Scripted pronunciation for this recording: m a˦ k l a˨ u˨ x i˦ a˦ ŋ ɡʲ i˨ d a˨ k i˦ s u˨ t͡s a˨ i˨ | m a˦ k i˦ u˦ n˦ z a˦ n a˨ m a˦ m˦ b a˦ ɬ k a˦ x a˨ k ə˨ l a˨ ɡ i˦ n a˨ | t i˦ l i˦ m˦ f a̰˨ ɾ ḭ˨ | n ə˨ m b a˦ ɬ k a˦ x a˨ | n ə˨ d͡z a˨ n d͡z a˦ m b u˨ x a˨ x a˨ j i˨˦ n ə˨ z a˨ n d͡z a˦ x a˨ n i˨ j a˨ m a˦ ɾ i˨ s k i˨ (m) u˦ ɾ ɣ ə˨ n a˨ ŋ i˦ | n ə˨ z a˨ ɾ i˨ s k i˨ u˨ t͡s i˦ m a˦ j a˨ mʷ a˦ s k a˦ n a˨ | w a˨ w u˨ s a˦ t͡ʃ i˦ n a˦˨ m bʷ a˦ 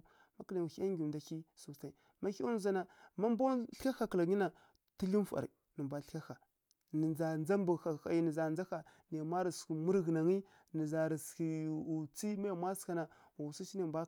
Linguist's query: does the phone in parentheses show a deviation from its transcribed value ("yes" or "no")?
no